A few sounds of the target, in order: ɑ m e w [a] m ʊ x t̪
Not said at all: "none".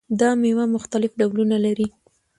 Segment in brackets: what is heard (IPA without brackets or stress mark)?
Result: a